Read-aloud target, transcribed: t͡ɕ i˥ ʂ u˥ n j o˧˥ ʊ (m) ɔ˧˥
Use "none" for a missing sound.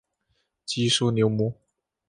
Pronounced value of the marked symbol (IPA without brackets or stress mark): m